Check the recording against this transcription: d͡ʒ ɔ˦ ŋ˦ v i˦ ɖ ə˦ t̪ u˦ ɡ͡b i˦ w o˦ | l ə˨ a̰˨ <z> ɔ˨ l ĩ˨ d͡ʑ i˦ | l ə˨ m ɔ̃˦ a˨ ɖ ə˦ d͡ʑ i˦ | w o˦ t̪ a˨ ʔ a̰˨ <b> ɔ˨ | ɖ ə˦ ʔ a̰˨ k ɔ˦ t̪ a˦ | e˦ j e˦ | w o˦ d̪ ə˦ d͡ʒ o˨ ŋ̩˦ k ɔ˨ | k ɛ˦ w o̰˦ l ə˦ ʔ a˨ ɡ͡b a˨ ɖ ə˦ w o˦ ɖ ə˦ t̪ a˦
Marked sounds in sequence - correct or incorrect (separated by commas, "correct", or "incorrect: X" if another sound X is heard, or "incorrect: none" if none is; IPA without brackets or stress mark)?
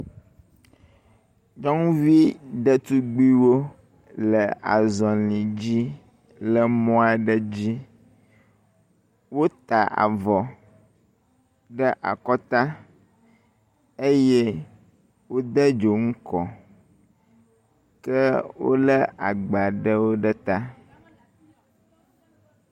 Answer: correct, incorrect: v